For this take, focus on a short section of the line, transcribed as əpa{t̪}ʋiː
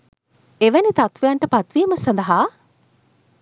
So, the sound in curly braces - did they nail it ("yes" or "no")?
yes